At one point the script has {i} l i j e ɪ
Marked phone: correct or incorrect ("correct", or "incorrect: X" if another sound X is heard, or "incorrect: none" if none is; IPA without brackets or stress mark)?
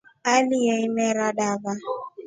incorrect: a